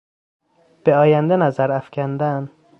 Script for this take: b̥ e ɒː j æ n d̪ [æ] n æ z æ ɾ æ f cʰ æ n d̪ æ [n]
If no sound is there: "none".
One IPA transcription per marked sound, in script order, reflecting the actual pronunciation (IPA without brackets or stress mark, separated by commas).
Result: e, n